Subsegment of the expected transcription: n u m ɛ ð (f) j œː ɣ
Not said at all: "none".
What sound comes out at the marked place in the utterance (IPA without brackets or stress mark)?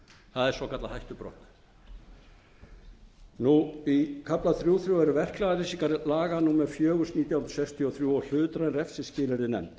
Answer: f